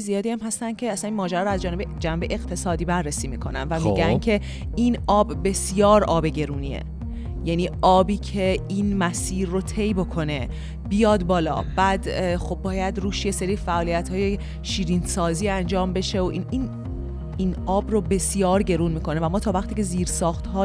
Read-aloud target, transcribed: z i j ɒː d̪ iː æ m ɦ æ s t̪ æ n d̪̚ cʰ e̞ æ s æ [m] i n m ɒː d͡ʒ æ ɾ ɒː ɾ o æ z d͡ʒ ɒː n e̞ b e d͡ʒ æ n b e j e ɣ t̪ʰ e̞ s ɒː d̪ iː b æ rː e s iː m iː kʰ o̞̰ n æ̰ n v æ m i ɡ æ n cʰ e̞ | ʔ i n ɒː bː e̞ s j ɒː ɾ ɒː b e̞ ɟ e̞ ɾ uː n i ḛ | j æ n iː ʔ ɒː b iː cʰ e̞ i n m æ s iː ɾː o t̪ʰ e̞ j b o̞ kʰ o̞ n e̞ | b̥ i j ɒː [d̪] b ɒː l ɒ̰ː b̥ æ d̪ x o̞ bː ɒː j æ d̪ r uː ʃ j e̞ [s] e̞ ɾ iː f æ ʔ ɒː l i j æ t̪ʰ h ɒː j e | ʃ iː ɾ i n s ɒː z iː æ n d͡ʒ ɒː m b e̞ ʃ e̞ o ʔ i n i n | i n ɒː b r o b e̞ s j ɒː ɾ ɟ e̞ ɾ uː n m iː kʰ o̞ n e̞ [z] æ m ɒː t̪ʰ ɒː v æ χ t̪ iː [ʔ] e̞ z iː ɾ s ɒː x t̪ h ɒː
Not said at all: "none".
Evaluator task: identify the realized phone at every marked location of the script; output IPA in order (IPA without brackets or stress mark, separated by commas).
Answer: n, d̪, s, v, c